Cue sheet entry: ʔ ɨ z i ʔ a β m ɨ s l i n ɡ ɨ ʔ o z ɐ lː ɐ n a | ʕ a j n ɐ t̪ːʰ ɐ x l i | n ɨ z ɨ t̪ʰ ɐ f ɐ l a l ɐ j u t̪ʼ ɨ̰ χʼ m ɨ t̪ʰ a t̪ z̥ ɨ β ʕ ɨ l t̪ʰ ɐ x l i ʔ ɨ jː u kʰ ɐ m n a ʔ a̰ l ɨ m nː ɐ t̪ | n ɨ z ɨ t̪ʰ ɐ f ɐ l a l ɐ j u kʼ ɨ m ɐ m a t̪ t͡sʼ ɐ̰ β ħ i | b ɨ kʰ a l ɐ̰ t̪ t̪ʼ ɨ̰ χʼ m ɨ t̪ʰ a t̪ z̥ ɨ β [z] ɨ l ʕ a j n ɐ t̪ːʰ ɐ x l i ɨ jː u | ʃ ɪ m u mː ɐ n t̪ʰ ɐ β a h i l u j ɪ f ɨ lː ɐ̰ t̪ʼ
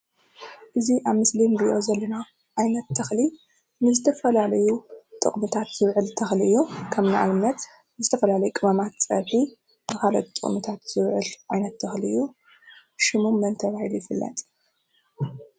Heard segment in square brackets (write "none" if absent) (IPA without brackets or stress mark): ʕ